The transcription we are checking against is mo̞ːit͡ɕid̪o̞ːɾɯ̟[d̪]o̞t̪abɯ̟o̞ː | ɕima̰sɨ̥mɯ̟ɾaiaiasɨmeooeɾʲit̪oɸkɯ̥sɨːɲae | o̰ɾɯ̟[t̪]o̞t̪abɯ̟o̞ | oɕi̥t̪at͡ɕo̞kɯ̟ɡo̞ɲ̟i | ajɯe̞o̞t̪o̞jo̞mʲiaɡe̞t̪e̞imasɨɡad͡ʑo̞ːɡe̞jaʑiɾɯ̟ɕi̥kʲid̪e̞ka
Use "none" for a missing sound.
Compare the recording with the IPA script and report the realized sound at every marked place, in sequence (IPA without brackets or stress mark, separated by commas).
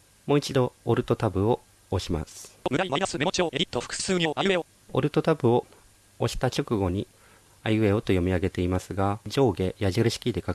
t̪, t̪